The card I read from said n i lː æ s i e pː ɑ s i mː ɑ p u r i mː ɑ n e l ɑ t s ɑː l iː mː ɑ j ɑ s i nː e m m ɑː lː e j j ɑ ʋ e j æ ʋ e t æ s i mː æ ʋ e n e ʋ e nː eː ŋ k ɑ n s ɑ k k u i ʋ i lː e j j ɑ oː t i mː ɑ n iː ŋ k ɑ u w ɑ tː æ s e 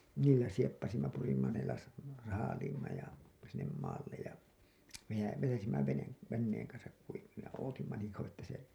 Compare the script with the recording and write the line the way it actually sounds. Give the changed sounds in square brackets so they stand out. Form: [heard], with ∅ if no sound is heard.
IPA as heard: n [iː] lː æ s i e pː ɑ s i mː ɑ p u r i mː ɑ n e l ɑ [s] s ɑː l iː mː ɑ j ɑ s i nː e m m ɑː lː e j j ɑ ʋ e j æ ʋ e t æ s i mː æ ʋ e n e ʋ e nː eː ŋ k ɑ n s ɑ k k u i ʋ i lː e j j ɑ oː t i mː ɑ n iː ŋ k ɑ u w ɑ tː æ s e